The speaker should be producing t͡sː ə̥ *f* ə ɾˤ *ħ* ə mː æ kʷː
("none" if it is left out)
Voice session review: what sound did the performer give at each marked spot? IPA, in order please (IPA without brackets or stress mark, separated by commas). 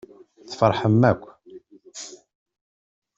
f, ħ